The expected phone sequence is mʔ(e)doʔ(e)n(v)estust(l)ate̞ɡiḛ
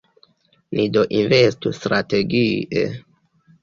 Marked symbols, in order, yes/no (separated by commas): no, no, yes, no